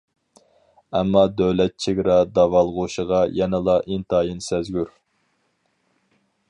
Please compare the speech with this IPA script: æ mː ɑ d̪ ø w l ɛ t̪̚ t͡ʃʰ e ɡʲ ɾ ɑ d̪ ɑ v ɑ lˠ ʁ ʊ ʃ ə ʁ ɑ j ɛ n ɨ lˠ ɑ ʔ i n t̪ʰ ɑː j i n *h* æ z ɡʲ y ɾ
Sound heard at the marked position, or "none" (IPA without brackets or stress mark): s